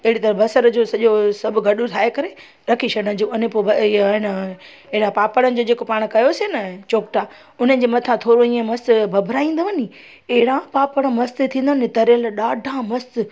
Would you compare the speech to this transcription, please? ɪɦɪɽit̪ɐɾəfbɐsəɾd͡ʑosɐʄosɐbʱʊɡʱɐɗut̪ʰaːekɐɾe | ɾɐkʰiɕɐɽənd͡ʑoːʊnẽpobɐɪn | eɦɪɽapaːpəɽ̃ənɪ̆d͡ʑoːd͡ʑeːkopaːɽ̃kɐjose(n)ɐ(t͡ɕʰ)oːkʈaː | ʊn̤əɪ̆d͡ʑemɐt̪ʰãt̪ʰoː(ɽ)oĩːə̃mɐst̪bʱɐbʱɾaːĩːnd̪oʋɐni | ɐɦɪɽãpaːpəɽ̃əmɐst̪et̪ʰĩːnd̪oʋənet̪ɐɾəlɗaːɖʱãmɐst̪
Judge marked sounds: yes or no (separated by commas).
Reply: yes, no, no